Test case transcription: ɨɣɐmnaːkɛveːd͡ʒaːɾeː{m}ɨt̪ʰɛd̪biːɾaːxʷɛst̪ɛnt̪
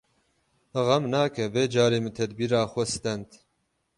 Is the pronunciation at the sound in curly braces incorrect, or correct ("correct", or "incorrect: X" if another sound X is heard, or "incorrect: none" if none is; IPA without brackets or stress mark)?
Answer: correct